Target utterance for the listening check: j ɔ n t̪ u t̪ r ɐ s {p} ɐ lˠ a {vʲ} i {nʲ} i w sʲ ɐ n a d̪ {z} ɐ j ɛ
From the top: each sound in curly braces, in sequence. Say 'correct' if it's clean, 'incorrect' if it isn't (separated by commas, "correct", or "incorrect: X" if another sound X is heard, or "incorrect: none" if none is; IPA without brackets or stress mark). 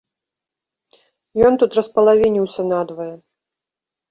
correct, correct, correct, incorrect: v